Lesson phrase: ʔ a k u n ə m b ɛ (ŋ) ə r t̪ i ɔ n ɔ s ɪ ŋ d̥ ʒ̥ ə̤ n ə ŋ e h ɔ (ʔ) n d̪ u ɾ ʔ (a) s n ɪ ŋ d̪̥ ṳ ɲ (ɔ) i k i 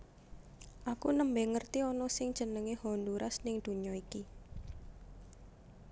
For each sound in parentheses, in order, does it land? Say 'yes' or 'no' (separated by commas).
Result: yes, no, yes, yes